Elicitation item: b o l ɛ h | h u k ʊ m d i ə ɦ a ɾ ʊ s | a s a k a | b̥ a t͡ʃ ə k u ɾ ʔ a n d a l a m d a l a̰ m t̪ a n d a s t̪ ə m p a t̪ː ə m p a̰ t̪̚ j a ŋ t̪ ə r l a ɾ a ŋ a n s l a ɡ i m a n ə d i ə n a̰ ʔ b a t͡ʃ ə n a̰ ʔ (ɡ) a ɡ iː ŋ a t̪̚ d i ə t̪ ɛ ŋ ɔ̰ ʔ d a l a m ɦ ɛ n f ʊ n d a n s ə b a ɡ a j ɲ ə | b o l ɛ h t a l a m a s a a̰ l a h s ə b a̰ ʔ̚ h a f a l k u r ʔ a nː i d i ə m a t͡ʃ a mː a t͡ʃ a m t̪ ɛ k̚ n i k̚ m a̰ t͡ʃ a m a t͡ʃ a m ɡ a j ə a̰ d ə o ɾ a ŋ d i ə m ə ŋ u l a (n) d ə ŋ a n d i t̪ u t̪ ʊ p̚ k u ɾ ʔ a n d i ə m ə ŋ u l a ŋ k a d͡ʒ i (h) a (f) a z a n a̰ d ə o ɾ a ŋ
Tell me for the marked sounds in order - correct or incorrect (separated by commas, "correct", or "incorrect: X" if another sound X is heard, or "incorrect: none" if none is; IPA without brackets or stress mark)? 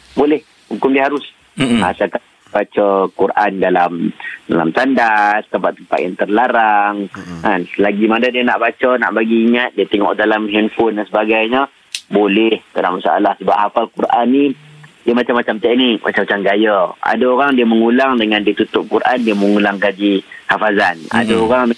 incorrect: b, incorrect: ŋ, correct, correct